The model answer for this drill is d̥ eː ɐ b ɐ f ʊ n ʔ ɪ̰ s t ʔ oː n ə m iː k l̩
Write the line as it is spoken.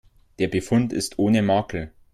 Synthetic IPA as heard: d̥ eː ɐ b ə f ʊ n t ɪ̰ s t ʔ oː n ə m aː k l̩

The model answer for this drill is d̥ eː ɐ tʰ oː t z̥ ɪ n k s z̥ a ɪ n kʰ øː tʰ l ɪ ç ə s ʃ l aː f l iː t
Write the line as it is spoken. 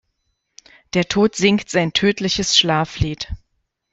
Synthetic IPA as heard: d̥ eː ɐ tʰ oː t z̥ ɪ ŋ k t z̥ a ɪ n tʰ øː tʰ l ɪ ç ə s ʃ l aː f l iː t

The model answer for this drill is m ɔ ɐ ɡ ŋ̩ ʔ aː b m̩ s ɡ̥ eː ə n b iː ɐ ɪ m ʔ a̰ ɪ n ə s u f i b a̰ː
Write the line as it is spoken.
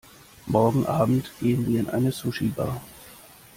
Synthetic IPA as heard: m ɔ ɐ ɡ ŋ̩ ʔ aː b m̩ t ɡ̥ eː ə n v iː ɐ ɪ n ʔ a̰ ɪ n ə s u ʃ i b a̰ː

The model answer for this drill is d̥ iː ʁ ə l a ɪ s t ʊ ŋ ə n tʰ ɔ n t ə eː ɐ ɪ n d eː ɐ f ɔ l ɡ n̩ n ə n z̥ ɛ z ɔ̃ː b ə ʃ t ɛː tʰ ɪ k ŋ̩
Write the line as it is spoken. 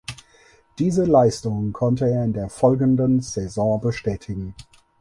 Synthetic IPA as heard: d̥ iː z ə l a ɪ s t ʊ ŋ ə n kʰ ɔ n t ə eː ɐ ɪ n d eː ɐ f ɔ l ɡ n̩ d ə n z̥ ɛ z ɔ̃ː b ə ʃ t ɛː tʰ ɪ ɡ ŋ̩

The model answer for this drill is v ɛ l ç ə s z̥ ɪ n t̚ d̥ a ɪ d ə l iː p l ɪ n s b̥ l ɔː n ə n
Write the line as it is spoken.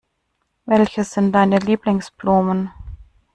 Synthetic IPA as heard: v ɛ l ç ə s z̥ ɪ n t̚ d̥ a ɪ n ə l iː p l ɪ ŋ s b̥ l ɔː m ə n

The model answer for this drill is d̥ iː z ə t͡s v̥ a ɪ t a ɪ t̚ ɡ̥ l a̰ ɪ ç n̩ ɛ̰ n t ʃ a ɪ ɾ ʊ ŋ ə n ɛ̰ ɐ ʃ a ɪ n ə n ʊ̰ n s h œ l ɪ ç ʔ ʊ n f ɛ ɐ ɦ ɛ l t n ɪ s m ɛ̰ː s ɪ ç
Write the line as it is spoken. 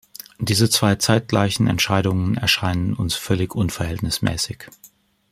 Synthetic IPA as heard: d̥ iː z ə t͡s v̥ a ɪ t͡s a ɪ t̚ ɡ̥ l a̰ ɪ ç n̩ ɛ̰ n t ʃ a ɪ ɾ ʊ ŋ ə n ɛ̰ ɐ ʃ a ɪ n ə n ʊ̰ n s f œ l ɪ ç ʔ ʊ n f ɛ ɐ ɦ ɛ l t n ɪ s m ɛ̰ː s ɪ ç

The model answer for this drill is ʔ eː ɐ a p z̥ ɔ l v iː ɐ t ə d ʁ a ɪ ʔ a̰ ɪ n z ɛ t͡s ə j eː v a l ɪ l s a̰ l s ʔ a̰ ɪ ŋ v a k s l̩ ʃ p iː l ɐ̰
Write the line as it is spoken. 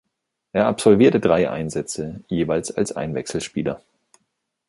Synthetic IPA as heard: ʔ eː ɐ a p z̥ ɔ l v iː ɐ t ə d ʁ a ɪ ʔ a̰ ɪ n z ɛ t͡s ə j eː v a ɪ l s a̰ l s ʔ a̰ ɪ n v ɛ k s l̩ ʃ p iː l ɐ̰

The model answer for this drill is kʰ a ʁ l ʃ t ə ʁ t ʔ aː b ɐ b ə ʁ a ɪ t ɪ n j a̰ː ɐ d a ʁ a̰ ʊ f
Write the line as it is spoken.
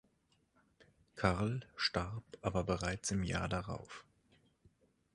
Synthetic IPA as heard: kʰ a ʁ l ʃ t a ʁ p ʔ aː b ɐ b ə ʁ a ɪ t͡s ɪ m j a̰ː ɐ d a ʁ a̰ ʊ f

